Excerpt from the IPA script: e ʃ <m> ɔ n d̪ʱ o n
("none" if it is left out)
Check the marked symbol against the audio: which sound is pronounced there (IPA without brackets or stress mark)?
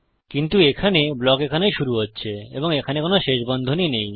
b